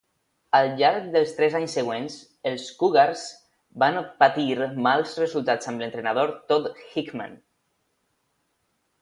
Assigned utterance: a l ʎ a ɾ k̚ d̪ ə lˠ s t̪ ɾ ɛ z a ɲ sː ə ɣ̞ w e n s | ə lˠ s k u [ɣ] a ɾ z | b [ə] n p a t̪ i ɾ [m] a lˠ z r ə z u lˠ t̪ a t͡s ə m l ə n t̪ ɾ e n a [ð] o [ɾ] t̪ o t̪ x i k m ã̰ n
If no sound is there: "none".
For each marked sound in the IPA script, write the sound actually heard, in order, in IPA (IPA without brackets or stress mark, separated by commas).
ɣ, a, m, ð, ɾ